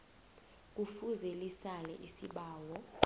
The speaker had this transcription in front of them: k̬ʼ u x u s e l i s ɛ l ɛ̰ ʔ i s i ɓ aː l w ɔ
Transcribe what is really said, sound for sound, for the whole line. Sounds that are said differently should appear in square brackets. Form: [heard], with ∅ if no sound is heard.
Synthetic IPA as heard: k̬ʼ u [f] u [z] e l i s [a] l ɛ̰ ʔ i s i ɓ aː [∅] w ɔ